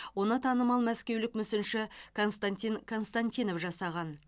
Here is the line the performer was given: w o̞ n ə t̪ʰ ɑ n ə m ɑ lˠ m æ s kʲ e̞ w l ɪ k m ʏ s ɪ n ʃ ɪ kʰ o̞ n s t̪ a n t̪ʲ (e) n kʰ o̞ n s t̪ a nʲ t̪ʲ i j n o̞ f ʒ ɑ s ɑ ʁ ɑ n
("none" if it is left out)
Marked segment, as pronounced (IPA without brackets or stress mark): i